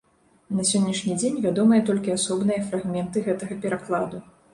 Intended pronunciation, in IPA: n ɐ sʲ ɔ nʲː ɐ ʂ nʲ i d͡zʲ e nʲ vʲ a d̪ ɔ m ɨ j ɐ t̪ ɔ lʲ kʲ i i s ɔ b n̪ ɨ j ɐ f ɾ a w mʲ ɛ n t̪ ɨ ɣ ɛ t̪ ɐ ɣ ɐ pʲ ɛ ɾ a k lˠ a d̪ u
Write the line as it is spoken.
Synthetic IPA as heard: n ɐ sʲ ɔ nʲː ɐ ʂ nʲ i d͡zʲ e nʲ vʲ a d̪ ɔ m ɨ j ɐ t̪ ɔ lʲ kʲ i a s ɔ b n̪ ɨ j ɐ f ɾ a ɣ mʲ ɛ n t̪ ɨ ɣ ɛ t̪ ɐ ɣ ɐ pʲ ɛ ɾ a k lˠ a d̪ u